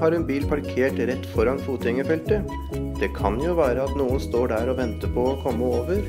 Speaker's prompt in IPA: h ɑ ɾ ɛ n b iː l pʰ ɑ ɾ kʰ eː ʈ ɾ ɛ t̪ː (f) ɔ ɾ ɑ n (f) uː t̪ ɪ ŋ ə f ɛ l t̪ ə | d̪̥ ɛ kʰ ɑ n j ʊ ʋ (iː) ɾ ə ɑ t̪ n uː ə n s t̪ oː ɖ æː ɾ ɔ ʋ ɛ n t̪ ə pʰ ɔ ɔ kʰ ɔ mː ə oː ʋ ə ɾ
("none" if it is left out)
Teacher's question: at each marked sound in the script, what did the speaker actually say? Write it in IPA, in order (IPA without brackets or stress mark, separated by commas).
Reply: f, f, æː